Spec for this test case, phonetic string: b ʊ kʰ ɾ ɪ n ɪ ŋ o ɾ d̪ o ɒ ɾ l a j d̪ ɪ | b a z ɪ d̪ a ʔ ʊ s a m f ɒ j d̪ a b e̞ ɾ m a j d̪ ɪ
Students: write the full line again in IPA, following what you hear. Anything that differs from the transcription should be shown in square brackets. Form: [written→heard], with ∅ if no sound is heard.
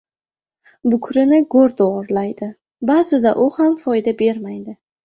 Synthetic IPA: b ʊ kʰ ɾ ɪ n ɪ [ŋ→ɡ] o ɾ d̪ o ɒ ɾ l a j d̪ ɪ | b a z ɪ d̪ a ʔ ʊ [s→h] a m f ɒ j d̪ a b e̞ ɾ m a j d̪ ɪ